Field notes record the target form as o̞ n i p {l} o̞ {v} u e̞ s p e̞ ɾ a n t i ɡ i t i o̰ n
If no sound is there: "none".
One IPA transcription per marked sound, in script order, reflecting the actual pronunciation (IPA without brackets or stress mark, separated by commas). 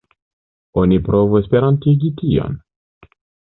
ɾ, v